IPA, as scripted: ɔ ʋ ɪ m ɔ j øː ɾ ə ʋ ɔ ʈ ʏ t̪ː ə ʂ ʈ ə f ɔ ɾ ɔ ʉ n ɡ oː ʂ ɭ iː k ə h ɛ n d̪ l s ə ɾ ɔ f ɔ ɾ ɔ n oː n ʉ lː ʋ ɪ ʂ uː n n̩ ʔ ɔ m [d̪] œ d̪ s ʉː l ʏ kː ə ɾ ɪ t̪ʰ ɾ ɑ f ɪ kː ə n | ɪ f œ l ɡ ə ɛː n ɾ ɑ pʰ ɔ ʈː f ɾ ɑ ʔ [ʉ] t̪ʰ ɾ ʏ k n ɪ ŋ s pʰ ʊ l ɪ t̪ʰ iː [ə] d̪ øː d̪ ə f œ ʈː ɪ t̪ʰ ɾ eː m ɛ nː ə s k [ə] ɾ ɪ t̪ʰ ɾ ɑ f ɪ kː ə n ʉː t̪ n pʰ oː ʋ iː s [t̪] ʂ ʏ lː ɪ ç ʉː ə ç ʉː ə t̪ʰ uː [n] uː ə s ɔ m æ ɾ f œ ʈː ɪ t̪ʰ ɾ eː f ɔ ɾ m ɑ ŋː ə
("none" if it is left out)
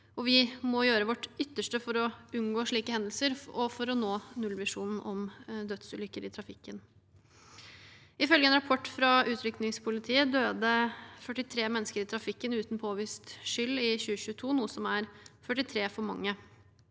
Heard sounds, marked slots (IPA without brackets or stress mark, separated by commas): d̪, ʉː, ə, ə, t̪, n